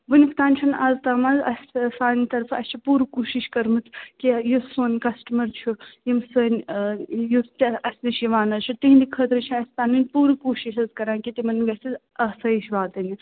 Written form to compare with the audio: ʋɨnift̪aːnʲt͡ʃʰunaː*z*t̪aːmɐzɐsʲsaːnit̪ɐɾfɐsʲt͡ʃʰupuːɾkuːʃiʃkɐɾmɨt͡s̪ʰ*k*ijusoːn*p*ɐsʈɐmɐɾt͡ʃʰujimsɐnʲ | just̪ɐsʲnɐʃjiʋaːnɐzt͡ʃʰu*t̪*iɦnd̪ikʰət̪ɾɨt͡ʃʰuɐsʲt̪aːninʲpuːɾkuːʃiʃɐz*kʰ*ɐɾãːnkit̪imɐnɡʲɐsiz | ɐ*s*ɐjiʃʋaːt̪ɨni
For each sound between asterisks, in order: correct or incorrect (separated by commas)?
correct, correct, incorrect, correct, incorrect, correct